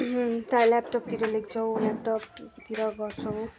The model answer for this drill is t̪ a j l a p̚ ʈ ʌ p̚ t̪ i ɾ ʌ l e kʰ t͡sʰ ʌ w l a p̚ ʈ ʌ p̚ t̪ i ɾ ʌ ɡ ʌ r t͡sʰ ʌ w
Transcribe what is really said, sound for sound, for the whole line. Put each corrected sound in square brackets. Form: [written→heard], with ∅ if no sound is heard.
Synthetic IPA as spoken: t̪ a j l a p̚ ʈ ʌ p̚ t̪ i ɾ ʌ l e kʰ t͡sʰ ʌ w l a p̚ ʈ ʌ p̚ t̪ i ɾ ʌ ɡ ʌ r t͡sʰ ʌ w